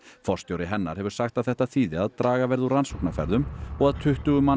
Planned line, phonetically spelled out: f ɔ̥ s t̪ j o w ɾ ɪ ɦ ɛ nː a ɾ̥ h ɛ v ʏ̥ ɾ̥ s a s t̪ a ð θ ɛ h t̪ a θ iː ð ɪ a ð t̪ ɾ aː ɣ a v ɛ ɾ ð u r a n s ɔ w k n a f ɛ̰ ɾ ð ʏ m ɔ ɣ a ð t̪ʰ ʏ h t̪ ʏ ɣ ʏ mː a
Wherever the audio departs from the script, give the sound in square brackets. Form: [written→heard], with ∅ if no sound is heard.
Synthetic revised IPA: f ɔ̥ s t̪ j o w ɾ ɪ ɦ ɛ nː a ɾ̥ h ɛ v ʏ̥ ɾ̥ s a [s→x] t̪ a ð θ ɛ h t̪ a θ iː ð ɪ a ð t̪ ɾ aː ɣ a v ɛ ɾ ð u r a n s ɔ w k n a f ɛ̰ ɾ ð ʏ m ɔ ɣ a ð t̪ʰ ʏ h t̪ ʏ ɣ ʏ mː a